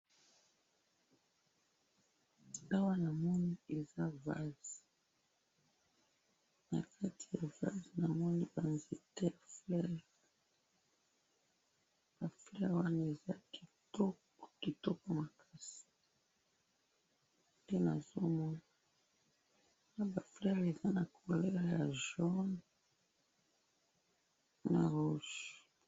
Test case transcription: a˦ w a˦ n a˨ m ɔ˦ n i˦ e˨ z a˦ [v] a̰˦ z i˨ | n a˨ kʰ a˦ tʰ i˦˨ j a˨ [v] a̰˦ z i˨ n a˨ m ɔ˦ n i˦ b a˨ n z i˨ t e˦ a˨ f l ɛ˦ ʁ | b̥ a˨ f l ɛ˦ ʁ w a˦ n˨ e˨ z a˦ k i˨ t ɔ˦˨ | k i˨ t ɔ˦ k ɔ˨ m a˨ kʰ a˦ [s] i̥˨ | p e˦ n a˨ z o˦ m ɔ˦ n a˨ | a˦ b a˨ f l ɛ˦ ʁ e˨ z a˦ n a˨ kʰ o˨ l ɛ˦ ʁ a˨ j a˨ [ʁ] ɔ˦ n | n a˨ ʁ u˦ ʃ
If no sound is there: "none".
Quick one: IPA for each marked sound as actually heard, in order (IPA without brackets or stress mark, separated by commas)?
v, v, s, ʒ